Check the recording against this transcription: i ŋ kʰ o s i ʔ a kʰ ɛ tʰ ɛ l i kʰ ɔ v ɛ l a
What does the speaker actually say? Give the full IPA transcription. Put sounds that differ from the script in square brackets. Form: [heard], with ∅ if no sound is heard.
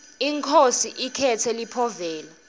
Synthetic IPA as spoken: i ŋ kʰ o s i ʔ [i] kʰ ɛ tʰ ɛ l i [pʰ] ɔ v [ɛː] l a